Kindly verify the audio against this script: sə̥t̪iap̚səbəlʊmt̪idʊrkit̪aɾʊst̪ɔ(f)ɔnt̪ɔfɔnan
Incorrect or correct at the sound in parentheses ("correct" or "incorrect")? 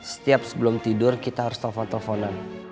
correct